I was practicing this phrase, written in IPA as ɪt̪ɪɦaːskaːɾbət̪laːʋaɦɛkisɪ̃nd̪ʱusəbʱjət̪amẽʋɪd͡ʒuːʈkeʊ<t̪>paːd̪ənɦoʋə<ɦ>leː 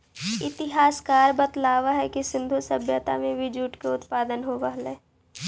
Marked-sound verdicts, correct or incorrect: correct, correct

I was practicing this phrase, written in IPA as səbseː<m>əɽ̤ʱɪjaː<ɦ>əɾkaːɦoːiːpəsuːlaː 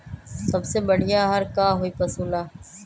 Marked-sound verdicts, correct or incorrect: incorrect, correct

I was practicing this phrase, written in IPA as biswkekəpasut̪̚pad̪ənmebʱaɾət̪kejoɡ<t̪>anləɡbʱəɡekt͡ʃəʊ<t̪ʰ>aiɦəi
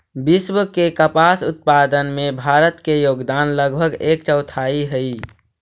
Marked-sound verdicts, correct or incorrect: incorrect, correct

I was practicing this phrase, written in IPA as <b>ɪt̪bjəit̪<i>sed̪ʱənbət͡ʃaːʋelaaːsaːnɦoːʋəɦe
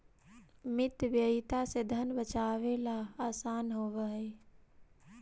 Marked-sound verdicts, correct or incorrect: incorrect, incorrect

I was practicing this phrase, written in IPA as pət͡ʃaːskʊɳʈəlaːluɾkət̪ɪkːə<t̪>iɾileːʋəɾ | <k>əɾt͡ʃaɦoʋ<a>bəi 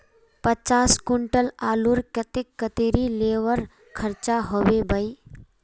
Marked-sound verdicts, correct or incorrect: correct, incorrect, incorrect

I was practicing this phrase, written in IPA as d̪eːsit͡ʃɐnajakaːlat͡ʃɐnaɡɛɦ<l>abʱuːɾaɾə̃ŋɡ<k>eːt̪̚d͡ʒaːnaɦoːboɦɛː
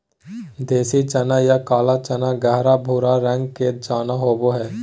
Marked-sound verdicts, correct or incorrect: incorrect, correct

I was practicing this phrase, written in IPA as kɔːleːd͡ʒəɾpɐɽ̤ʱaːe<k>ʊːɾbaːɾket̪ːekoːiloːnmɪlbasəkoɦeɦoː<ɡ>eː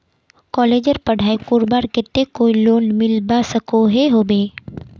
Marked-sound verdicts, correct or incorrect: correct, incorrect

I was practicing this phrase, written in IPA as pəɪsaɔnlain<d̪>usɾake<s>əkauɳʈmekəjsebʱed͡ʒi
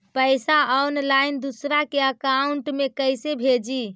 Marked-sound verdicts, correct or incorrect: correct, incorrect

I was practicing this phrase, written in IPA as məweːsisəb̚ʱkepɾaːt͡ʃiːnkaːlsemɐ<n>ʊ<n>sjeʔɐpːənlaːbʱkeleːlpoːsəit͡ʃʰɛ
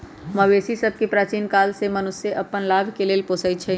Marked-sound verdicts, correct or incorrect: correct, incorrect

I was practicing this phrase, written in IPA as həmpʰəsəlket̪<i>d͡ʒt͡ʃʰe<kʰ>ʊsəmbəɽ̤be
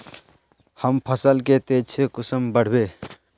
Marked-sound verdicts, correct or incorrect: incorrect, incorrect

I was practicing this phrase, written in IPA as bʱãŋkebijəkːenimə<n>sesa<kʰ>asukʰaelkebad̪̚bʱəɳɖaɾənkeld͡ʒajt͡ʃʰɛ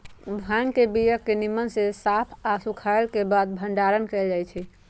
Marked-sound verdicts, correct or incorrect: correct, incorrect

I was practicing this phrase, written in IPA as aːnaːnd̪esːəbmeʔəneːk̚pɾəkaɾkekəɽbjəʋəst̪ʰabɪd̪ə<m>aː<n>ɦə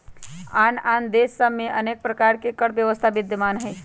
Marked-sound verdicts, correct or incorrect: correct, correct

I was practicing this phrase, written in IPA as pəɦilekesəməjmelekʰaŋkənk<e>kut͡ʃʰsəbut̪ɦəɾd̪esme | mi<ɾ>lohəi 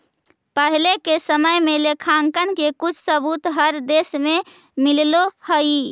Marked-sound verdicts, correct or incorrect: correct, incorrect

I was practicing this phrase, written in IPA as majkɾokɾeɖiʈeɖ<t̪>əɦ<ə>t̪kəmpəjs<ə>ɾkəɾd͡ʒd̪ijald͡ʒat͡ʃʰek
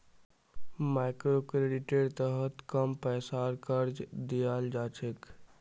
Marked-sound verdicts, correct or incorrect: correct, correct, incorrect

